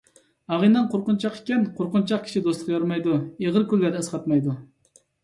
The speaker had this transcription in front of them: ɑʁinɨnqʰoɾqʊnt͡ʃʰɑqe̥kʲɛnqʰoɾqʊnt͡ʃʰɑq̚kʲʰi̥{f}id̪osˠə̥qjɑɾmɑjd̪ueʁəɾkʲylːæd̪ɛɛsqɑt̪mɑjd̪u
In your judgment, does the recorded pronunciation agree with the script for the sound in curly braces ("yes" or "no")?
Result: no